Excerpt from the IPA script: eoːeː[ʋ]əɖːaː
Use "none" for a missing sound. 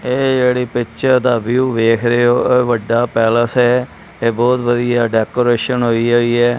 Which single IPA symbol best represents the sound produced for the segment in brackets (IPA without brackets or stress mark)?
ʋ